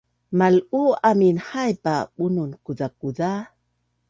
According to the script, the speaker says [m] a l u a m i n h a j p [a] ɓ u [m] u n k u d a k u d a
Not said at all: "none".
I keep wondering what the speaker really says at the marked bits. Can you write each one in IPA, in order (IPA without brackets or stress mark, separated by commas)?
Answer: m, a, n